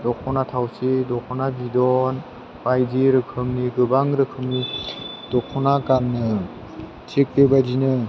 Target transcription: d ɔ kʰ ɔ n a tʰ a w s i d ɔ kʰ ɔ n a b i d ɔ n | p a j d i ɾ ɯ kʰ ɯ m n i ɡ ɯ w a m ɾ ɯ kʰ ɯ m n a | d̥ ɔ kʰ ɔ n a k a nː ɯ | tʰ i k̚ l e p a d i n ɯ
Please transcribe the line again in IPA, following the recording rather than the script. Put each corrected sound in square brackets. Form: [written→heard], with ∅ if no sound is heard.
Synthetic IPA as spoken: d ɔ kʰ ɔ n a tʰ a w s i d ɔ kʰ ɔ n a b i d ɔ n | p a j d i ɾ ɯ kʰ ɯ m n i ɡ ɯ [w→b] a [m→ŋ] ɾ ɯ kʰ ɯ m n [a→i] | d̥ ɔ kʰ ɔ n a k a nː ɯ | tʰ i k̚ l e [p→b] a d i n ɯ